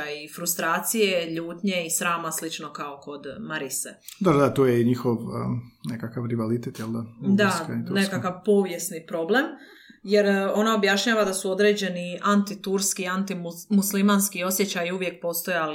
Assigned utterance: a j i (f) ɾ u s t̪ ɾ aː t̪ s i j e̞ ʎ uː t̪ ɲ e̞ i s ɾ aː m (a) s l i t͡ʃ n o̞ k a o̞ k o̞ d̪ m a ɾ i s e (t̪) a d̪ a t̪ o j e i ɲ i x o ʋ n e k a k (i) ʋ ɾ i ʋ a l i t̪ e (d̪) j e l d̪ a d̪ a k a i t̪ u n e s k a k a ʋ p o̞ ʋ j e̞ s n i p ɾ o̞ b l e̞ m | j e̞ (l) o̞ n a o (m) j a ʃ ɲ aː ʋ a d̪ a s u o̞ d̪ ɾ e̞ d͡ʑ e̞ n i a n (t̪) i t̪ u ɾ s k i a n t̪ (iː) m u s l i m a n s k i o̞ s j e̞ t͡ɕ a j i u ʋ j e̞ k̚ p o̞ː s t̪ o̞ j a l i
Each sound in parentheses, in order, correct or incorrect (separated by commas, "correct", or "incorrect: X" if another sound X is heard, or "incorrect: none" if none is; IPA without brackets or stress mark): correct, correct, incorrect: d̪, incorrect: a, incorrect: t̪, incorrect: ɾ, incorrect: b, correct, incorrect: i